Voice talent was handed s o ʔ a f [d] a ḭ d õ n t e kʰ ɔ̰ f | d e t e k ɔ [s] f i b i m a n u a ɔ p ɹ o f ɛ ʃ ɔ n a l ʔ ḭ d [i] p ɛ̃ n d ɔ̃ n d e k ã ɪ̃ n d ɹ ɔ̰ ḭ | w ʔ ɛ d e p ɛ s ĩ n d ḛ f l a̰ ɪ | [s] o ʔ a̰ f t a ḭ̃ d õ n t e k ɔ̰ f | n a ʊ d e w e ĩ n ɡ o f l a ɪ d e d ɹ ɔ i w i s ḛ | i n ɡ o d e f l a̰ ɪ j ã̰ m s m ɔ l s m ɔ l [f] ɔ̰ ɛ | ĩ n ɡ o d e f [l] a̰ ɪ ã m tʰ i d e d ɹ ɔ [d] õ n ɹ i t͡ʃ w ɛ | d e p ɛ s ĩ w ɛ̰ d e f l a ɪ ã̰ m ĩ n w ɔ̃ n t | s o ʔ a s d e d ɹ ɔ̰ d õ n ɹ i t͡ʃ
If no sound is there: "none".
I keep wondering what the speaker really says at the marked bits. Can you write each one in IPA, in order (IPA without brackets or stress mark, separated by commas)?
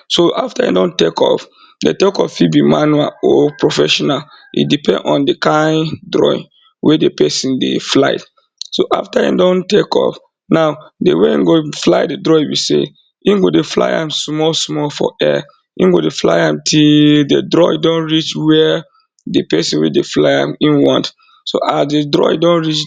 t, f, i, s, f, l, d